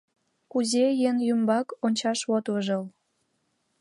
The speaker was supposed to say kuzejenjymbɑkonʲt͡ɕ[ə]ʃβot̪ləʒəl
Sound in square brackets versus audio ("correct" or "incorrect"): incorrect